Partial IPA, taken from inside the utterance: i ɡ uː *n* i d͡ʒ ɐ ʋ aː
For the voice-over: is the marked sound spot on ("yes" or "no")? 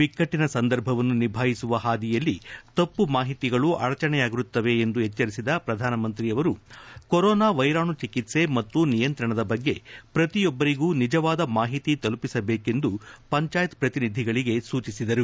yes